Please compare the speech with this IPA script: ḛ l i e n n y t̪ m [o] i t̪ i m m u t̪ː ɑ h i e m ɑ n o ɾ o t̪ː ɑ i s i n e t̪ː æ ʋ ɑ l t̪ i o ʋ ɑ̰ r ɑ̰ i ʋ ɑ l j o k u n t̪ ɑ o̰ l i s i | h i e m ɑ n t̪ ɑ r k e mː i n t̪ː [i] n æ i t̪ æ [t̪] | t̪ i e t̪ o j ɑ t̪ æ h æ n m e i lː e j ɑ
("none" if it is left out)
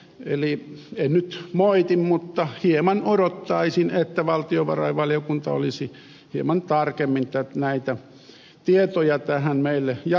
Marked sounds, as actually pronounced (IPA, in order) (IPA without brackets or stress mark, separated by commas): o, æ, none